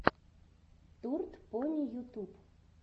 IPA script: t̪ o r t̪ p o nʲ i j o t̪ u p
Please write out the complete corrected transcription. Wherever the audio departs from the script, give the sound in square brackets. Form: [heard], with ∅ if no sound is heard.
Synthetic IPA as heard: t̪ [u] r t̪ p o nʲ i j [u] t̪ u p